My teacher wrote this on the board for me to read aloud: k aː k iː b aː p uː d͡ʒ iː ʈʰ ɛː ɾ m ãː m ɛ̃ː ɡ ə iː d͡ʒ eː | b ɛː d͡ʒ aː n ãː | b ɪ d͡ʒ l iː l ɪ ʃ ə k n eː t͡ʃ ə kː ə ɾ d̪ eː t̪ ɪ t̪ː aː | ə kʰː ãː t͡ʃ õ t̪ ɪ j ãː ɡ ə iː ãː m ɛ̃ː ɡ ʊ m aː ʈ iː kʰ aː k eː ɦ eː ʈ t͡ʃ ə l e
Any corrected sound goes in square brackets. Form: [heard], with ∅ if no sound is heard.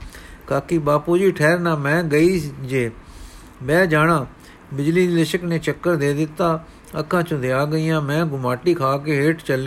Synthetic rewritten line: k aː k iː b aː p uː d͡ʒ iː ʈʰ ɛː ɾ [n] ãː m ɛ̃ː ɡ ə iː d͡ʒ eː | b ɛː d͡ʒ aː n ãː | b ɪ d͡ʒ l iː l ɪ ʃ ə k n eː t͡ʃ ə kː ə ɾ d̪ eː [d̪] ɪ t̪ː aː | ə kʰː ãː t͡ʃ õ [d̪] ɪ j [aː] ɡ ə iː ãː m ɛ̃ː ɡ ʊ m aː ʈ iː kʰ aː k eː ɦ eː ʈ t͡ʃ ə l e